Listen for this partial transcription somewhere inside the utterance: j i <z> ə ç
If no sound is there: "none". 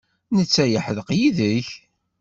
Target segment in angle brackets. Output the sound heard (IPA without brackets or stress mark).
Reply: ð